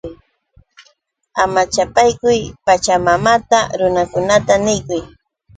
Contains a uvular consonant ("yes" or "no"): no